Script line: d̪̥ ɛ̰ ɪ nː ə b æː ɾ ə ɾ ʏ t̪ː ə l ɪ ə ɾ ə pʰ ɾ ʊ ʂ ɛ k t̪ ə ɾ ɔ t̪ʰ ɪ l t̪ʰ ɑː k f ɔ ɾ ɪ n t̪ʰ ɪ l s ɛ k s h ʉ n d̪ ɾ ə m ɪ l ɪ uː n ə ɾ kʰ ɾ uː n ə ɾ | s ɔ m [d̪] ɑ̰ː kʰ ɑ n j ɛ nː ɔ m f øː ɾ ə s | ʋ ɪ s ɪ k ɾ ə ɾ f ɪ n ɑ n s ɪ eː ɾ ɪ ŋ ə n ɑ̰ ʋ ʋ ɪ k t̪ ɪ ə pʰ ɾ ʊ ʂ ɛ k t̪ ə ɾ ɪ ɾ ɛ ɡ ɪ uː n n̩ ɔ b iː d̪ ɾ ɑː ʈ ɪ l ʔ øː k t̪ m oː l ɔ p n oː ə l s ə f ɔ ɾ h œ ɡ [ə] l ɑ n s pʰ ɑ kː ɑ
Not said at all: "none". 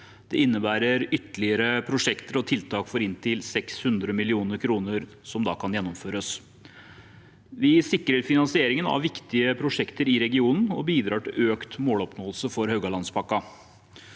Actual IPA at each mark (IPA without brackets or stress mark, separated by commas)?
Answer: d̪, ɑ